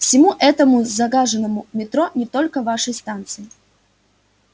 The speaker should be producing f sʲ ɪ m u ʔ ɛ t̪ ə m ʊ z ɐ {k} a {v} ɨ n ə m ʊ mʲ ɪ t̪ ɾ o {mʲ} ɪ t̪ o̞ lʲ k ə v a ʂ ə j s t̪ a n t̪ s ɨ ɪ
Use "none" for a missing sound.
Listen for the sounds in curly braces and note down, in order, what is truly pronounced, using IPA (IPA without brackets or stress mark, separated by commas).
ɡ, ʐ, nʲ